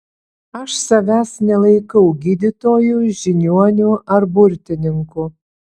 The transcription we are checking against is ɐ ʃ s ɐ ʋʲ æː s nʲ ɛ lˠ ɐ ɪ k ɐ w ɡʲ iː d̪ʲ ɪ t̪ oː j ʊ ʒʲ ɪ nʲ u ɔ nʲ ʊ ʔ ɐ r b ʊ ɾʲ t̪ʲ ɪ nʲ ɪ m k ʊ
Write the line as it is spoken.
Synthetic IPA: ɐ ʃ s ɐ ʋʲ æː s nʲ ɛ lˠ ɐ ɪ k ɐ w ɡʲ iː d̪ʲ ɪ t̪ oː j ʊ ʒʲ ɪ nʲ u ɔ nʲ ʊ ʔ ɐ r b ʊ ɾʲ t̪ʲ ɪ nʲ ɪ ŋ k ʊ